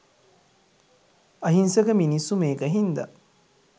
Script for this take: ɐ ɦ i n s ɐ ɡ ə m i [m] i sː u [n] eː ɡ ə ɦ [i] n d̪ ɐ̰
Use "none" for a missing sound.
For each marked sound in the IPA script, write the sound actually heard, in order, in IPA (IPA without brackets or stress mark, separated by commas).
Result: n, m, i